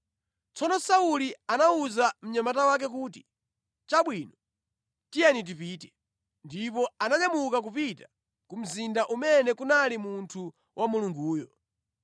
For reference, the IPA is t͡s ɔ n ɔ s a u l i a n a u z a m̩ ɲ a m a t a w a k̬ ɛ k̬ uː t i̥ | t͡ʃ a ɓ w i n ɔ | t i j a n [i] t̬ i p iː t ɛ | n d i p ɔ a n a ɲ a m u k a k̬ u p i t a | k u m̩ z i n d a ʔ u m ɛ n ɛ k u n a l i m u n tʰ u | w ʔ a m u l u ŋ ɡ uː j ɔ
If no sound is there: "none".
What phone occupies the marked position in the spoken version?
i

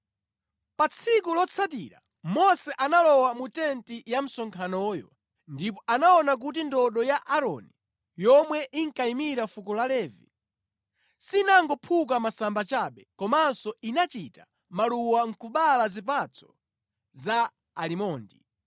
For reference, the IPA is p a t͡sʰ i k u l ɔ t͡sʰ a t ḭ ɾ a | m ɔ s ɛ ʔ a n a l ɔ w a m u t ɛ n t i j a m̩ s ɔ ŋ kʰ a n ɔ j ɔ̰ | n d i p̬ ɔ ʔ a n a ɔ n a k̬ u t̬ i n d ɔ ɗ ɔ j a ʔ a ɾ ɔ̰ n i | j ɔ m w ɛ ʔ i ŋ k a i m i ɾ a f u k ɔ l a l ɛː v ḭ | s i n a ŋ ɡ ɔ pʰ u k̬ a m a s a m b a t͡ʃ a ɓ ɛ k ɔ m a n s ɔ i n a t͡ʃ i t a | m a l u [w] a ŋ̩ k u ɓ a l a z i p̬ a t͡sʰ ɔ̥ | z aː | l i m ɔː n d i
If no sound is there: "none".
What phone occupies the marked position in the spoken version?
w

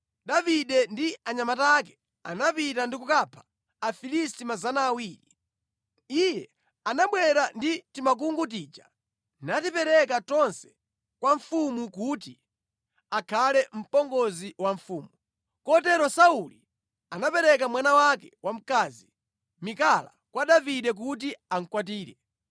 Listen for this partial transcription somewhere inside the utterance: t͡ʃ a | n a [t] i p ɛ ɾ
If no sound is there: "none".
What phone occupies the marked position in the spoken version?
t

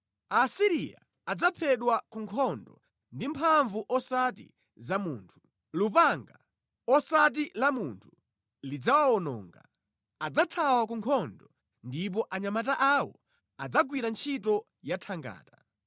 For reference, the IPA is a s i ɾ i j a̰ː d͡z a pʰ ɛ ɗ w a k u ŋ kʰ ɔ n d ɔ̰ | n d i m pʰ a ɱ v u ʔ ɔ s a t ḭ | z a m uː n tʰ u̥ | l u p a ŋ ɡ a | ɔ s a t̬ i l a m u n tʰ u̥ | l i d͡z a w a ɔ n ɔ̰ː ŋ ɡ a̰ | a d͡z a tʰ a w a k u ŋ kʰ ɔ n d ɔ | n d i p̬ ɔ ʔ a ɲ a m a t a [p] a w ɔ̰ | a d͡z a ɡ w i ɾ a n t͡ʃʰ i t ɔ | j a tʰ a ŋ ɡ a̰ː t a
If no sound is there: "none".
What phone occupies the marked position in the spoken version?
ʔ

